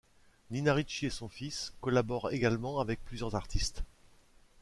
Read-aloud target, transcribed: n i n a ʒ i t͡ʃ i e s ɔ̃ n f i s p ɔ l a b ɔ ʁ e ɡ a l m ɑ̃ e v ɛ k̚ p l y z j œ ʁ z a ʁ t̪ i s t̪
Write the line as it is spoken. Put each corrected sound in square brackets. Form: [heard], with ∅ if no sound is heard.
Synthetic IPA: n i n a [ʁ] i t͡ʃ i e s ɔ̃ [∅] f i s [k] ɔ l a b ɔ ʁ e ɡ a l m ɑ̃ [a] v ɛ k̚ p l y z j œ ʁ z a ʁ t̪ i s t̪